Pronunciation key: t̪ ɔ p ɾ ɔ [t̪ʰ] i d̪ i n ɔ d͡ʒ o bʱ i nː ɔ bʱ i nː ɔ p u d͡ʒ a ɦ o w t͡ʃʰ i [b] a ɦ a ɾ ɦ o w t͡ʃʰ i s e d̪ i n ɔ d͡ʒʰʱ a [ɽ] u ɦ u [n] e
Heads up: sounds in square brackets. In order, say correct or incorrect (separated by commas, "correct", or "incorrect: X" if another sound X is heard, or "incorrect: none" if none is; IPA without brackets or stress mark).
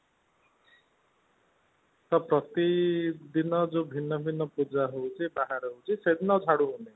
incorrect: t̪, correct, correct, correct